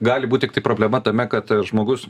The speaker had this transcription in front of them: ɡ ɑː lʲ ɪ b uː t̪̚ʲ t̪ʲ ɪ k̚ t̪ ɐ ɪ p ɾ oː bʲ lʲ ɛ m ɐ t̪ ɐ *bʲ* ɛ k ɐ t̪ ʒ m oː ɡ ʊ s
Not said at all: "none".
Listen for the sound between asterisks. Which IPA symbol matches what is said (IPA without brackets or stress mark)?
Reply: mʲ